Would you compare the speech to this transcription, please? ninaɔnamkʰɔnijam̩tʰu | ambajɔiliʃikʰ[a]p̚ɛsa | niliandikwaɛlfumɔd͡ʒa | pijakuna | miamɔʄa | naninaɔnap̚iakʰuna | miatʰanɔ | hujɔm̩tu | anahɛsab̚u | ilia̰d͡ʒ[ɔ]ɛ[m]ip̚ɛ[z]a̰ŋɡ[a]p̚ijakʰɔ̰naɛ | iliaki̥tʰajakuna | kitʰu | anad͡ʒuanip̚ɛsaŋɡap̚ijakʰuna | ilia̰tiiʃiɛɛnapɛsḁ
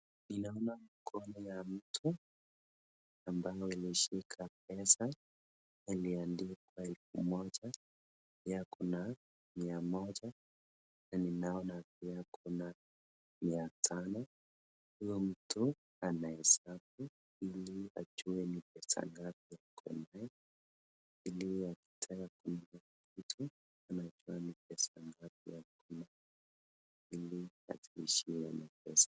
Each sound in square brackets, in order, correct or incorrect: correct, incorrect: u, incorrect: n, incorrect: s, correct

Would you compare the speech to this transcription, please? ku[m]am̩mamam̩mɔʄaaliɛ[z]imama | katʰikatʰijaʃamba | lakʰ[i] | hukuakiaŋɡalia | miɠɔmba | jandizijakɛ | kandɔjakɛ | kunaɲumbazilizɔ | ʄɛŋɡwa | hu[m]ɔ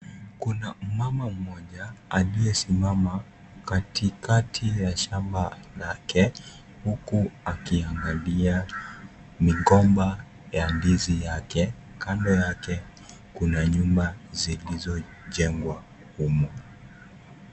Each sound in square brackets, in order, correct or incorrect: incorrect: n, incorrect: s, incorrect: ɛ, correct

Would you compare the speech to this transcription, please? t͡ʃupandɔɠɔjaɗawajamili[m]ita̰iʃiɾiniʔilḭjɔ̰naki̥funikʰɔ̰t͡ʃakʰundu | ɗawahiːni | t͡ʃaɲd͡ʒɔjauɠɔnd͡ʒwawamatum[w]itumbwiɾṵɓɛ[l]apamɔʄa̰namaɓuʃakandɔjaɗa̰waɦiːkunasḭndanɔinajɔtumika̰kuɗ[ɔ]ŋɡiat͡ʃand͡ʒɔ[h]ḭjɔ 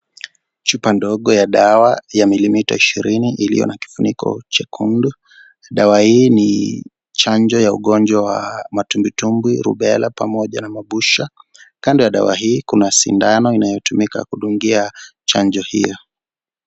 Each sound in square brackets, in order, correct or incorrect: correct, incorrect: b, correct, incorrect: u, correct

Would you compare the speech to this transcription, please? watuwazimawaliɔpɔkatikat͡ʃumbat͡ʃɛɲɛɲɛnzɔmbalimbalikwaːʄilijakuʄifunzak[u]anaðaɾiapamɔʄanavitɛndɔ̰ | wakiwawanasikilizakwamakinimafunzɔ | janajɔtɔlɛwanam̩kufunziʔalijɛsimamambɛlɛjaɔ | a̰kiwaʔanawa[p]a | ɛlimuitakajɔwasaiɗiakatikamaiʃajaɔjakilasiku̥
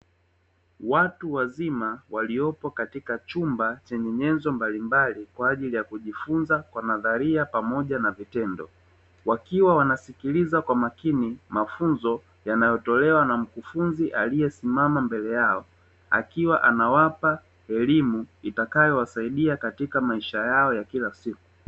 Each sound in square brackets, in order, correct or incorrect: incorrect: w, correct

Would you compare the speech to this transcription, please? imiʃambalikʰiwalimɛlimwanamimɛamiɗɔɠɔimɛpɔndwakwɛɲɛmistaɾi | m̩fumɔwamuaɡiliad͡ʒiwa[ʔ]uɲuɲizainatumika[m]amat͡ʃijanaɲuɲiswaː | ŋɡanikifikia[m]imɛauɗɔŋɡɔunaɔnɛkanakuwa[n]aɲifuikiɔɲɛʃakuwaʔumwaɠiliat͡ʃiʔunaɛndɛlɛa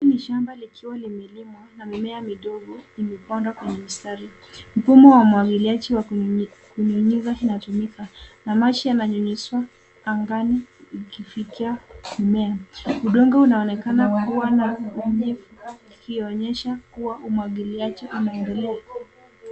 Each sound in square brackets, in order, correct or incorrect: incorrect: k, incorrect: n, correct, correct

